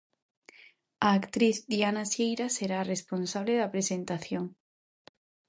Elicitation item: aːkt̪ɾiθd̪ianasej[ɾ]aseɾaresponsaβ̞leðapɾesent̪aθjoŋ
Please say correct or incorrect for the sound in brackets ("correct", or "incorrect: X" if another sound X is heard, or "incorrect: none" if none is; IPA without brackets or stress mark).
correct